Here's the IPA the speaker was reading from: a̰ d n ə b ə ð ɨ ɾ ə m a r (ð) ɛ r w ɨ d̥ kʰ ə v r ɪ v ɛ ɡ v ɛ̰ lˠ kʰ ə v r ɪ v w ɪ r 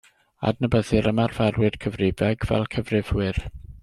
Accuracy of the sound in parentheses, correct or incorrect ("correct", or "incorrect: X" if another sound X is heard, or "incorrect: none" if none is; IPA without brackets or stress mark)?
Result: incorrect: v